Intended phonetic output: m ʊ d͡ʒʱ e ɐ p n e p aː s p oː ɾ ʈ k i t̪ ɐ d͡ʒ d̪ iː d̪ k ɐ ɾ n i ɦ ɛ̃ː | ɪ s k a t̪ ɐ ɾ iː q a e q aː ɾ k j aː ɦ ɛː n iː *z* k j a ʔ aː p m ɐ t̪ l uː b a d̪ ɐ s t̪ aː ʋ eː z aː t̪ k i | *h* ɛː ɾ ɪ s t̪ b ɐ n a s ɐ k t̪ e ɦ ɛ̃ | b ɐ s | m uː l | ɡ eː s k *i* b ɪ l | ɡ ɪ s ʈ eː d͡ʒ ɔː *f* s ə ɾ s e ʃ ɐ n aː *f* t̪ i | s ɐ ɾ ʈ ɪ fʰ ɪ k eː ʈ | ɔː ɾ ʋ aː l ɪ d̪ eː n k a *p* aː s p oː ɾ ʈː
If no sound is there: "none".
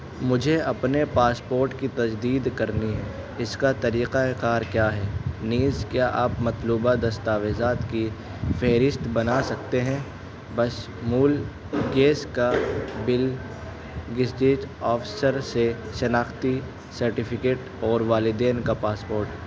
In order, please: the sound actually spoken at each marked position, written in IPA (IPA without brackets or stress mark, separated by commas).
z, f, a, f, x, p